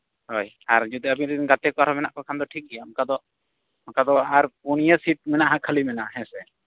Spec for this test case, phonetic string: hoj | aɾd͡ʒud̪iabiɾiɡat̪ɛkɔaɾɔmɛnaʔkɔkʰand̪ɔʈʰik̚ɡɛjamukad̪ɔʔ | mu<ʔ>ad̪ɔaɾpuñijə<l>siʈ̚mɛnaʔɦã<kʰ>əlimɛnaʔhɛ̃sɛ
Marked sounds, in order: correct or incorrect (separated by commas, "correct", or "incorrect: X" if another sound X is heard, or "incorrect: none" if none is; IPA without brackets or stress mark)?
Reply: incorrect: k, incorrect: none, correct